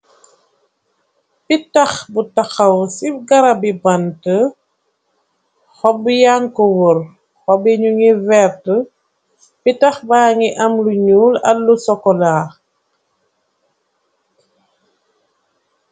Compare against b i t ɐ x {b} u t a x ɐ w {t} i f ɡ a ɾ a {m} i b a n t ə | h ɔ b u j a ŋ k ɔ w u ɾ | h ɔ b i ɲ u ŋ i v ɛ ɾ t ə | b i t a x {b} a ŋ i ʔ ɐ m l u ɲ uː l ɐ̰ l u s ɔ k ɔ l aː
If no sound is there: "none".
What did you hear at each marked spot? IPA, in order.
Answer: b, s, b, b

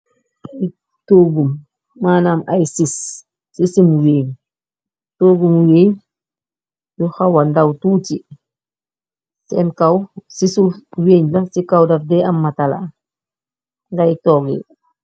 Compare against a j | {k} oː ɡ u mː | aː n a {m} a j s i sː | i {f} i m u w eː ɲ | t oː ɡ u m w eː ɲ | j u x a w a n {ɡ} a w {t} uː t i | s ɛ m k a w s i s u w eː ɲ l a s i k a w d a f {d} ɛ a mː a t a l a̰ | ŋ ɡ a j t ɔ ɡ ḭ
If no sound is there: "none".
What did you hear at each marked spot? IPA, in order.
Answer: t, m, s, d, t, d

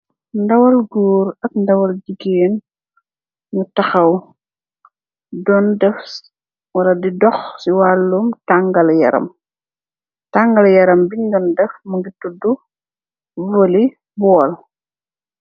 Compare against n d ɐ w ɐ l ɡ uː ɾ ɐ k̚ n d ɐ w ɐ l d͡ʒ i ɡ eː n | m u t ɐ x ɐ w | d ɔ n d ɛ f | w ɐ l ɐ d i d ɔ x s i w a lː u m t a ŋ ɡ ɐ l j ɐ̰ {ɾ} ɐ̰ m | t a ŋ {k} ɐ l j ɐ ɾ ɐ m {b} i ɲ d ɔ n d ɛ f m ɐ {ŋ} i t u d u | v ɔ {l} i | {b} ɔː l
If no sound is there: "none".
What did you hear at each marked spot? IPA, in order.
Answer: ɾ, ɡ, b, ɡ, l, b

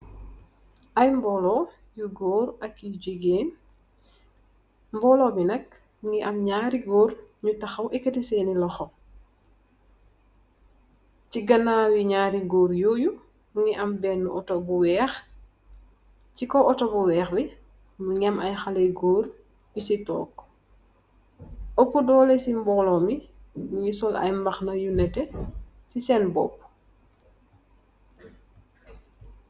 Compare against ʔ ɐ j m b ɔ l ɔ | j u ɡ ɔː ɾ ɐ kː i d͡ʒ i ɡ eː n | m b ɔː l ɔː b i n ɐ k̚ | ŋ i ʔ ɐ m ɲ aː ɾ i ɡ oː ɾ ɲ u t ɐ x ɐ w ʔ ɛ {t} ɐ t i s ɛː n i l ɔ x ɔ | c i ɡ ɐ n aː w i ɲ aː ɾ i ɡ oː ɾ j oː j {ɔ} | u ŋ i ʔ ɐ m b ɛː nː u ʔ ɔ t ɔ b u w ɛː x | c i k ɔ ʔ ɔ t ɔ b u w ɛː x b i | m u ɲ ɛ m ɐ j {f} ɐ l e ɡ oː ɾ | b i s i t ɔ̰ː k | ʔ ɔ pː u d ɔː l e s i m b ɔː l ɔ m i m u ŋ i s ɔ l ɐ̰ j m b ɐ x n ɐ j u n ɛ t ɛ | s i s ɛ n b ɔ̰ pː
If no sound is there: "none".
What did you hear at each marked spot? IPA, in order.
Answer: k, u, x

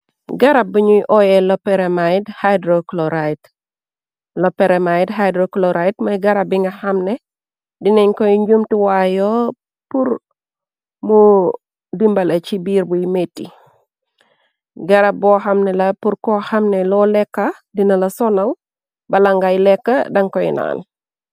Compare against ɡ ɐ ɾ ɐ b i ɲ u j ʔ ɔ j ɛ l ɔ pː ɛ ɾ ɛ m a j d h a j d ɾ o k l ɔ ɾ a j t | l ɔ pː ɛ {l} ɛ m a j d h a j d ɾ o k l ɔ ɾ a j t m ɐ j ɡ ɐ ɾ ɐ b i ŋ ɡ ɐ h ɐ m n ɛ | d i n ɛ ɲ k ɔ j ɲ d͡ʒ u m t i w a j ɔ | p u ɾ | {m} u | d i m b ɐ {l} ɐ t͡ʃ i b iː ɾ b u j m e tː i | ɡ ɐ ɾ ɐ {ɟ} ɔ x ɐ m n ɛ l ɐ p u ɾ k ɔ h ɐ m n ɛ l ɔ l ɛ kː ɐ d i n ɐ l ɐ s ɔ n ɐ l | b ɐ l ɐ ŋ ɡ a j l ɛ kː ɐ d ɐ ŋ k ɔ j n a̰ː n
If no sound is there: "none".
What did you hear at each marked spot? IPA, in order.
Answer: ɾ, m, l, b

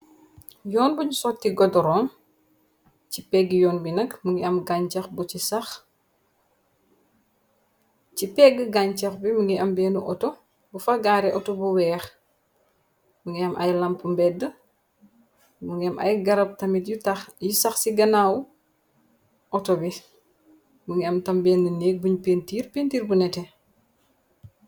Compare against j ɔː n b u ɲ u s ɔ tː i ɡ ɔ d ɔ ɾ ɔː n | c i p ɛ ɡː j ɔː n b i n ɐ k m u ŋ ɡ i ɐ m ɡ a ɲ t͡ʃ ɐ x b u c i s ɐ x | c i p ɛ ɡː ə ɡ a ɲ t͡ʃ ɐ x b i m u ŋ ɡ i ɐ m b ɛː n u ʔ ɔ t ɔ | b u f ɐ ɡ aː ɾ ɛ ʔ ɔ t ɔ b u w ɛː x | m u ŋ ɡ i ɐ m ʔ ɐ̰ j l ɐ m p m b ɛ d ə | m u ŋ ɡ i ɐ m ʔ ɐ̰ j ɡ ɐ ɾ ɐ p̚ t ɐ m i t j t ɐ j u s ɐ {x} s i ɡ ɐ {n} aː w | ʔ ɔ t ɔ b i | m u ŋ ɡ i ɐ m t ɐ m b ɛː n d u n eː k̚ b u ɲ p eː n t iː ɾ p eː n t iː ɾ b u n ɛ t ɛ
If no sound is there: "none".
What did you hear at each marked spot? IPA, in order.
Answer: x, n

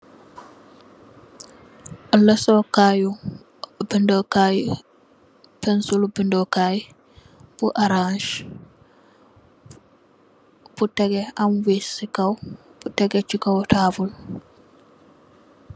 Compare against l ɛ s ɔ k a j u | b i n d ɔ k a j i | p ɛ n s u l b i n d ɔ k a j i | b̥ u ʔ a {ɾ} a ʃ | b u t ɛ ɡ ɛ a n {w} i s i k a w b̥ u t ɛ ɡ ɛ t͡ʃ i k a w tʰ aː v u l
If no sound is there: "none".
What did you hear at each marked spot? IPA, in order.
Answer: ɾ, w

